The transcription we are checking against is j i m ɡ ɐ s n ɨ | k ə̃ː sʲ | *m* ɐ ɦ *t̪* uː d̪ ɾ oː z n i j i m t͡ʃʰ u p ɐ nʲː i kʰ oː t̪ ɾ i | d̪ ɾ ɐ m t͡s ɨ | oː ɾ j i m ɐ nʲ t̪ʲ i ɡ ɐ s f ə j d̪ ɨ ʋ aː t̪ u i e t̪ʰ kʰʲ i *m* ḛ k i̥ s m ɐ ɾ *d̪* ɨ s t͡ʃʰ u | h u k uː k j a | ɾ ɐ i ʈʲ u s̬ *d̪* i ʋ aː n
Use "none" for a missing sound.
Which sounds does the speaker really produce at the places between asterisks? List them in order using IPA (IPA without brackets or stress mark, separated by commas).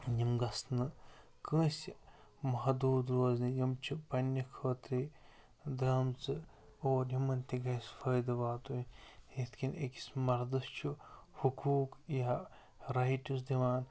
m, d̪, n, d̪, d̪